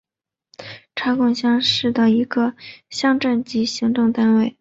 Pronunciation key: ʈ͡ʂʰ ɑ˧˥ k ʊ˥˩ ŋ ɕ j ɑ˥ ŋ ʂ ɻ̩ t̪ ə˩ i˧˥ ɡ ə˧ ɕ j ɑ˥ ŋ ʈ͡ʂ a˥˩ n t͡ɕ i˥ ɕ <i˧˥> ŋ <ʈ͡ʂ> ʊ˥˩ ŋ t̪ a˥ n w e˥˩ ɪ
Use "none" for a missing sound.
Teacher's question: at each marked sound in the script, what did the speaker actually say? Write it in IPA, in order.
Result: i˧˥, ʈ͡ʂ

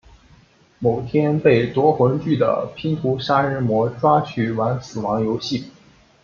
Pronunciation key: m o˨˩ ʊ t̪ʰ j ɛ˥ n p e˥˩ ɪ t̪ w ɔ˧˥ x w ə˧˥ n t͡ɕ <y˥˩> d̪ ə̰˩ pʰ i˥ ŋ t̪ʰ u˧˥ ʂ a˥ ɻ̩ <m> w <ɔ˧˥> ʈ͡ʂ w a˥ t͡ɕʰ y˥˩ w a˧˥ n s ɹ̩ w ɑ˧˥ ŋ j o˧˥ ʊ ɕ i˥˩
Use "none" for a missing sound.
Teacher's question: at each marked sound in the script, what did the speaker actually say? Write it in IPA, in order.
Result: y˥˩, m, ɔ˧˥

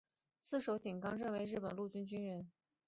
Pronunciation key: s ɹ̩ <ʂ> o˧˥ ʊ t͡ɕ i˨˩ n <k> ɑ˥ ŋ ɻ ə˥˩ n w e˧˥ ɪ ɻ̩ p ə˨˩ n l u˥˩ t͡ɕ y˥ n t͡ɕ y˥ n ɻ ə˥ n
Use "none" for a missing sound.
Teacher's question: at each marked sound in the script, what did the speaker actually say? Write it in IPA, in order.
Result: ʂ, k

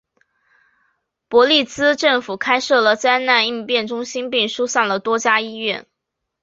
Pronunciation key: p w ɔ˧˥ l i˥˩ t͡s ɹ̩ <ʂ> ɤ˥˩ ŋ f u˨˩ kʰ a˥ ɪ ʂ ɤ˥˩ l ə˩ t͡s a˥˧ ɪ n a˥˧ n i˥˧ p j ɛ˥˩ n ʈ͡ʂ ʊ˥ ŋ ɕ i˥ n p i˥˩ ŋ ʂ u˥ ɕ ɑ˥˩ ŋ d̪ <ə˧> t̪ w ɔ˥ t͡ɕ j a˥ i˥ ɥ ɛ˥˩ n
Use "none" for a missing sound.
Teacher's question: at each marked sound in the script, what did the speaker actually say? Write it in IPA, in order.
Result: ʈ͡ʂ, ə˩

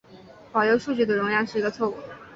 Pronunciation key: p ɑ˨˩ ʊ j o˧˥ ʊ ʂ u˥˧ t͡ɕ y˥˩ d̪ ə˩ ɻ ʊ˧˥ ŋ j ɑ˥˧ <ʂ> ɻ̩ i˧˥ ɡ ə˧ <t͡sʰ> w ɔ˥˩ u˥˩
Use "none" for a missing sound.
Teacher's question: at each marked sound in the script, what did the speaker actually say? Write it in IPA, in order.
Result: ʂ, t͡sʰ

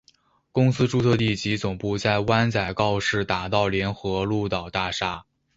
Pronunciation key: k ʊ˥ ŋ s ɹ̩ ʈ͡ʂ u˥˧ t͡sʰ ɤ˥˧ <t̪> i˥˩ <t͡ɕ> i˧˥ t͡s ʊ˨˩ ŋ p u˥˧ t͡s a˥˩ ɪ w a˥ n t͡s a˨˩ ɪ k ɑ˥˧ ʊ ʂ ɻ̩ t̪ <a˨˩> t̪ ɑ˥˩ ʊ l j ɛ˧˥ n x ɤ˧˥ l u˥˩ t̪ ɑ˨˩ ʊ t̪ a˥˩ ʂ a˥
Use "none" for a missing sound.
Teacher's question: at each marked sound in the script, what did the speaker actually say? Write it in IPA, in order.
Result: t̪, t͡ɕ, a˨˩

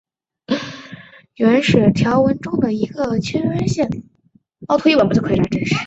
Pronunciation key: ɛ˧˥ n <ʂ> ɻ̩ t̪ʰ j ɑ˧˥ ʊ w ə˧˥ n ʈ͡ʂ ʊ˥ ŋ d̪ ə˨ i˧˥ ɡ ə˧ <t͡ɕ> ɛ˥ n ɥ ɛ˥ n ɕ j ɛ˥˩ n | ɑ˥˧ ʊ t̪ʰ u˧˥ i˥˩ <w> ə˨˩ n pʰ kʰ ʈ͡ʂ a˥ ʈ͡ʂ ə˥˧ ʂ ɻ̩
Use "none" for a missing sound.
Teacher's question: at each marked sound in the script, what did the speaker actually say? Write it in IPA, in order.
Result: ʂ, t͡ɕʰ, w

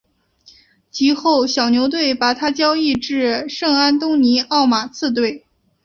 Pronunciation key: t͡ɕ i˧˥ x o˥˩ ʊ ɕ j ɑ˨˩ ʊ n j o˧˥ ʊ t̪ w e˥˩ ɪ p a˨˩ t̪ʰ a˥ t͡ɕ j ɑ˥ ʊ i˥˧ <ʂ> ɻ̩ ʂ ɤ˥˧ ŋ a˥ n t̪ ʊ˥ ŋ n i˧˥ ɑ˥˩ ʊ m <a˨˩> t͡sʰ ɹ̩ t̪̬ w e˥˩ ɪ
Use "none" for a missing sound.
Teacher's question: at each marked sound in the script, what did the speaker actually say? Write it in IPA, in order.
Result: ʈ͡ʂ, a˨˩

